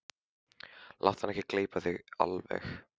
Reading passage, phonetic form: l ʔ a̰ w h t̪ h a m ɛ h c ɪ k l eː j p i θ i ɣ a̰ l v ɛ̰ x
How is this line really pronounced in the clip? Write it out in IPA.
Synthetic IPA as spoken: l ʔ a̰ w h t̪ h a n ɛ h c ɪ k l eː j p a θ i ɣ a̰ l v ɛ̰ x